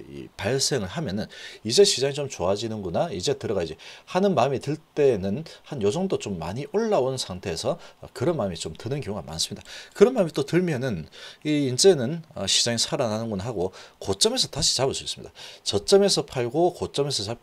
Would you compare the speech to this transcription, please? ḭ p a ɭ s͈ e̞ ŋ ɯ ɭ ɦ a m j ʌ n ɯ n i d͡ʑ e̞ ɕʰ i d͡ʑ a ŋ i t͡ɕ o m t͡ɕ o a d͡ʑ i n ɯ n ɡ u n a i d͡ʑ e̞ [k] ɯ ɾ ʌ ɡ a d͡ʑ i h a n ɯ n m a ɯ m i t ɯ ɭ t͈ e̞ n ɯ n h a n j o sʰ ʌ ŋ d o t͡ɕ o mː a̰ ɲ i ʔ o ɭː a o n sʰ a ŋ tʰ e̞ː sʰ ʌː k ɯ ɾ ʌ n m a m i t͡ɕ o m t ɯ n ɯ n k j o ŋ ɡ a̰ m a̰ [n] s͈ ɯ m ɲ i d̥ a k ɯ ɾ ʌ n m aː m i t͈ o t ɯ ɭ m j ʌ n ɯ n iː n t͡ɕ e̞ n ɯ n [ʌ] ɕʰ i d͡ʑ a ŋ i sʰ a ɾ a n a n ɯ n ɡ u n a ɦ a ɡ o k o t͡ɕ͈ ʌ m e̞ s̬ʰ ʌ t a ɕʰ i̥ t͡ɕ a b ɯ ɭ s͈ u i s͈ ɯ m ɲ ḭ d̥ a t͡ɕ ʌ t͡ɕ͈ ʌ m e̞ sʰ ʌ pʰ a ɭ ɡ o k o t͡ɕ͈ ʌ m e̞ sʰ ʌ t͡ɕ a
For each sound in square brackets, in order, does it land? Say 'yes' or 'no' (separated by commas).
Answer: no, yes, yes